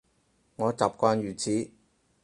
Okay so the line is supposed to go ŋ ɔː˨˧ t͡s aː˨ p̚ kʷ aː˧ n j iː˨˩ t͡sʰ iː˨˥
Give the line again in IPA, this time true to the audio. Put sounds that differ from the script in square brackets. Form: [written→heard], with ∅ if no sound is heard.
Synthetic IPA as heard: ŋ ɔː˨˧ t͡s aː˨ p̚ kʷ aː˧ n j [iː˨˩→yː˨˩] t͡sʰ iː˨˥